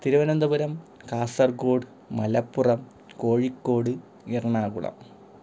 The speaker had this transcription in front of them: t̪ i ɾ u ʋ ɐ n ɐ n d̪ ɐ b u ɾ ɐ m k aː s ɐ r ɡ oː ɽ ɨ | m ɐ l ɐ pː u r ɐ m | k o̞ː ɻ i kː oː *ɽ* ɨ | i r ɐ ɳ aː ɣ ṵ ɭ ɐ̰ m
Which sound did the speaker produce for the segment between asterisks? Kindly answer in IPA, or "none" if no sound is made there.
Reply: ɽ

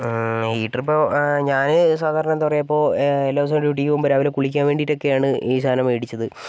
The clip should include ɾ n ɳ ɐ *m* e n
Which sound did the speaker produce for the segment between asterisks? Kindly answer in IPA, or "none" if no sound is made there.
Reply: none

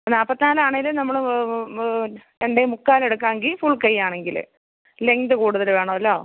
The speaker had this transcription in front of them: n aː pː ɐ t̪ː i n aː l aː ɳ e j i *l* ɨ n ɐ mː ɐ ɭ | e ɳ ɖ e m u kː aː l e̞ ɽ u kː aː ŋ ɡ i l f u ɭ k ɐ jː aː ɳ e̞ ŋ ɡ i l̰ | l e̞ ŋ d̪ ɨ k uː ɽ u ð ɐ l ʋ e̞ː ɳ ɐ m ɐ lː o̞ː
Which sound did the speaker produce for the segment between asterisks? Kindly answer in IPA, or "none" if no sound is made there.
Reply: l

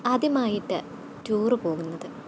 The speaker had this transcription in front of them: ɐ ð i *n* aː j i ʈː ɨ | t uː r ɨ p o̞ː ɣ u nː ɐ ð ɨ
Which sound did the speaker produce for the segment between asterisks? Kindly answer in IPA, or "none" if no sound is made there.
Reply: m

